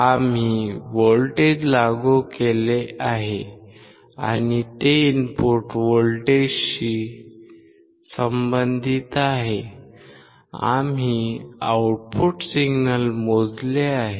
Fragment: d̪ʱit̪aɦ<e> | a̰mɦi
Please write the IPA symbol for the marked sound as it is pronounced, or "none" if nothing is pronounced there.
e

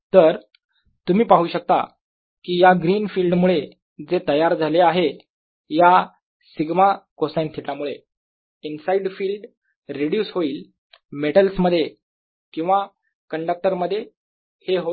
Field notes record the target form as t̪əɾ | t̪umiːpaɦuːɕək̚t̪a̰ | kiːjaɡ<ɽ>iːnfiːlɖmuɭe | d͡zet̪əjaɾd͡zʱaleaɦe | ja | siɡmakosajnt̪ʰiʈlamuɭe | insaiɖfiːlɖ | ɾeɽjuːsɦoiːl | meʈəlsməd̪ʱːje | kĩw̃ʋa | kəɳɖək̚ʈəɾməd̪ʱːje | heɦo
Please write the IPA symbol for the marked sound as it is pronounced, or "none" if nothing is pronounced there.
ɾ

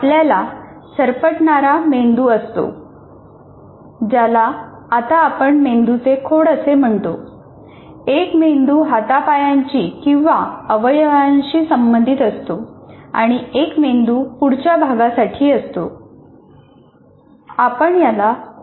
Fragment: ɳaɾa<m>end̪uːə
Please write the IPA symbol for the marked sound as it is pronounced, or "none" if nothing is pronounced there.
m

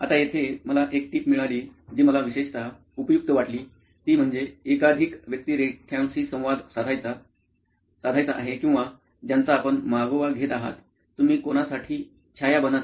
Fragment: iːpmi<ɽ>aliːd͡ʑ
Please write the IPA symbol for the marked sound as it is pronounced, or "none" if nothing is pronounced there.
ɭ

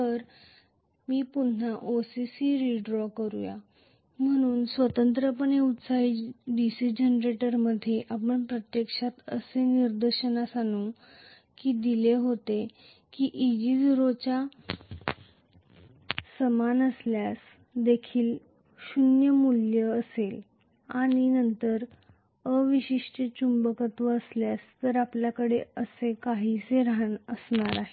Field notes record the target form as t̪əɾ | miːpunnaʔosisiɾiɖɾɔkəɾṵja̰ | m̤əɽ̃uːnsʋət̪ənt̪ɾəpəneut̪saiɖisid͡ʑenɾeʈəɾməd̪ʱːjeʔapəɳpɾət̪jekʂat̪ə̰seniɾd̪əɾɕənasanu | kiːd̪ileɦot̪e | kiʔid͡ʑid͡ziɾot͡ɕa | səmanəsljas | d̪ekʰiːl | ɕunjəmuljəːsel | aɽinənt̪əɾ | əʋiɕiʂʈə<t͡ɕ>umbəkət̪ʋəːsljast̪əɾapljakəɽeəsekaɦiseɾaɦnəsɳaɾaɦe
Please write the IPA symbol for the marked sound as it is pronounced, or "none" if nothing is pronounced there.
t͡ɕ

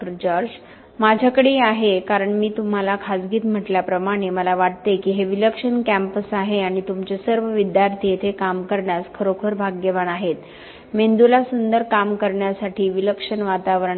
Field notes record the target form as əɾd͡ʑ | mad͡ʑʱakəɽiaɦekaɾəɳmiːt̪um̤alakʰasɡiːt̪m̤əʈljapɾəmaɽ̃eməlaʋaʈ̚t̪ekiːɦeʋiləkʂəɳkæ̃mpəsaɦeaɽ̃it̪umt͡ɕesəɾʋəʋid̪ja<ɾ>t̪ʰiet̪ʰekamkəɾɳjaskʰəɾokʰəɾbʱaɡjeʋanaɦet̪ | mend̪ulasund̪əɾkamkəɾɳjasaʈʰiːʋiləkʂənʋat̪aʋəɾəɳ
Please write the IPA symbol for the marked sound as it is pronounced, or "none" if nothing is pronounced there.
ɾ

